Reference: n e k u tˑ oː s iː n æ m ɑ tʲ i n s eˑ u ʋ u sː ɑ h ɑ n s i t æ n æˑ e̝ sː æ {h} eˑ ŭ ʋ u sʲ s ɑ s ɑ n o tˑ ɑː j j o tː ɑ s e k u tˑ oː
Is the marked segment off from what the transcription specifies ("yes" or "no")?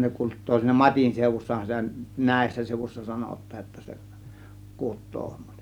yes